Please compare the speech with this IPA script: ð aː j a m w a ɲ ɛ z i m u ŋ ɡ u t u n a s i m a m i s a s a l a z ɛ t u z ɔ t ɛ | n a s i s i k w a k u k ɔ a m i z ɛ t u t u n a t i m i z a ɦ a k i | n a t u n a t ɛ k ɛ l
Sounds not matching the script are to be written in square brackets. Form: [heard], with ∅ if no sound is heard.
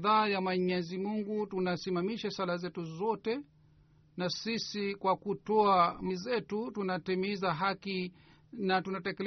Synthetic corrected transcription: ð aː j a m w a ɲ ɛ z i m u ŋ ɡ u t u n a s i m a m i [ʃ] a s a l a z ɛ t u z ɔ t ɛ | n a s i s i k w a k u [t] ɔ a m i z ɛ t u t u n a t i m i z a ɦ a k i | n a t u n a t ɛ k ɛ l